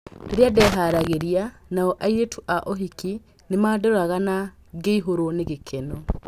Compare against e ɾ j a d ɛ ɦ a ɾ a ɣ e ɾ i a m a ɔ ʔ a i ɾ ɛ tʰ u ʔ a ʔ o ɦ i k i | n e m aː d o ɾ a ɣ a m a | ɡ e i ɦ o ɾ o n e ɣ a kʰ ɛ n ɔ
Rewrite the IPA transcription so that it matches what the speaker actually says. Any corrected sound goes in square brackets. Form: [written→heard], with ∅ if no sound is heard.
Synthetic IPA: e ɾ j a d ɛ ɦ a ɾ a ɣ e ɾ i a [m→n] a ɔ ʔ a i ɾ [ɛ→e] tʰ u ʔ a ʔ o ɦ i k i | n e m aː d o ɾ a ɣ a [m→n] a | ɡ e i ɦ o ɾ o n e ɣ [a→e] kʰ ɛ n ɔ